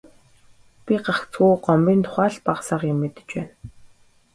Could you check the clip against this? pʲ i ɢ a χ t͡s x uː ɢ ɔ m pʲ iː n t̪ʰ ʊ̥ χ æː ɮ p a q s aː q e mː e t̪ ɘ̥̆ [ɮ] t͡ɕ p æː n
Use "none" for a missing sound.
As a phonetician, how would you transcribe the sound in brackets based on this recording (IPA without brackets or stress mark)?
none